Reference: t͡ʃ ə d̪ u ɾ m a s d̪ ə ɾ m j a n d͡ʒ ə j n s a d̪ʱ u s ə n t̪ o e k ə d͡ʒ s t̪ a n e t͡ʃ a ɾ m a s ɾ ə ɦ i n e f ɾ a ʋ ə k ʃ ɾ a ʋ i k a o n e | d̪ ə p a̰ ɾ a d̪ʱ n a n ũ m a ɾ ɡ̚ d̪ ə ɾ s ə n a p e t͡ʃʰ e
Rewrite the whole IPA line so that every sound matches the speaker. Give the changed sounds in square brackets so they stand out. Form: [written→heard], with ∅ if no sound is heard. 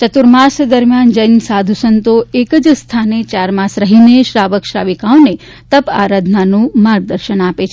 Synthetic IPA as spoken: t͡ʃ ə [d̪→t̪] u ɾ m a s d̪ ə ɾ m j a n d͡ʒ ə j n s a d̪ʱ u s ə n t̪ o e k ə d͡ʒ s [t̪→t̪ʰ] a n e t͡ʃ a ɾ m a s ɾ ə ɦ i n e [f→ʃ] ɾ a ʋ ə k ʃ ɾ a ʋ i k a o n e | [d̪→t̪] ə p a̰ ɾ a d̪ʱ n a n ũ m a ɾ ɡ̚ d̪ ə ɾ [s→ʃ] ə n a p e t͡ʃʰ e